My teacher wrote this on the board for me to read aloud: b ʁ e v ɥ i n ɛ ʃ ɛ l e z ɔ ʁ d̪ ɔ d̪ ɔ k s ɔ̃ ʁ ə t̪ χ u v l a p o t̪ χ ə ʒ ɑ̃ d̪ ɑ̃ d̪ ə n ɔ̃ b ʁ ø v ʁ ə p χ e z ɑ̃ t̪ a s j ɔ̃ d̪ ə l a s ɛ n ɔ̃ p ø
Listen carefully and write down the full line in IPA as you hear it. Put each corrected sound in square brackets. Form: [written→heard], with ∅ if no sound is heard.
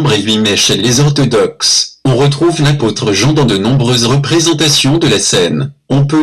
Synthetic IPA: b ʁ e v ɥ i [n→m] ɛ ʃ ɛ l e z ɔ ʁ [d̪→t̪] ɔ d̪ ɔ k s ɔ̃ ʁ ə t̪ χ u v l a p o t̪ χ ə ʒ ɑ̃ d̪ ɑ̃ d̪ ə n ɔ̃ b ʁ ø [v→z] ʁ ə p χ e z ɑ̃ t̪ a s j ɔ̃ d̪ ə l a s ɛ n ɔ̃ p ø